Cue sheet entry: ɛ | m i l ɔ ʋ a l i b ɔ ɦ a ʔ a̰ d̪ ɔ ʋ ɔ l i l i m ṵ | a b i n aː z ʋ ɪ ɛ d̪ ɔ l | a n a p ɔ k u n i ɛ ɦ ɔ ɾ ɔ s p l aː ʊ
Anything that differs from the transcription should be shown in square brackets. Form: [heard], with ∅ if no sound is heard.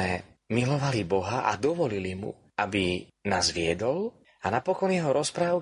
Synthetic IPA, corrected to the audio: ɛ | m i l ɔ ʋ a l i b ɔ ɦ a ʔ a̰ d̪ ɔ ʋ ɔ l i l i m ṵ | a b i n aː z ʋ ɪ ɛ d̪ ɔ l | a n a p ɔ k [ɔ] n [j] ɛ ɦ ɔ ɾ ɔ s p [ɾ] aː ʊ